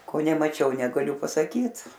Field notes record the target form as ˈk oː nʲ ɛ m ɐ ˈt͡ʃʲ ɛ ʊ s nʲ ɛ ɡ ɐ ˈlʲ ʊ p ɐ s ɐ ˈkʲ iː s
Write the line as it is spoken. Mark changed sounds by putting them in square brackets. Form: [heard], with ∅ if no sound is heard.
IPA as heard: ˈk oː nʲ ɛ m ɐ ˈt͡ʃʲ ɛ ʊ [∅] nʲ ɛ ɡ ɐ ˈlʲ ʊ p ɐ s ɐ ˈkʲ iː [t]